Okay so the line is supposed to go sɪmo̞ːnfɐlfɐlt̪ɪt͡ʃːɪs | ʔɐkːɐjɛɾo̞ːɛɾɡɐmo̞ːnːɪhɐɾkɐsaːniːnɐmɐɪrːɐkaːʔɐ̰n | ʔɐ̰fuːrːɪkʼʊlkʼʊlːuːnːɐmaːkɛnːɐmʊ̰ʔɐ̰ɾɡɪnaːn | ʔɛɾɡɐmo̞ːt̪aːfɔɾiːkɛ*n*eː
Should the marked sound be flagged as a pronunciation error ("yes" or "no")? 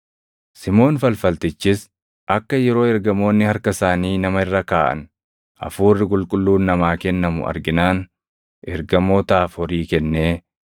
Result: yes